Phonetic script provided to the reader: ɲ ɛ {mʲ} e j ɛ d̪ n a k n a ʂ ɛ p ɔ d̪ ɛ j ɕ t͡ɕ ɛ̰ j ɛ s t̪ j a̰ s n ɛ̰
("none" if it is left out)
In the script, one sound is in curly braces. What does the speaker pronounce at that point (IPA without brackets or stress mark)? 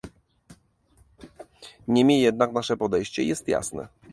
mʲ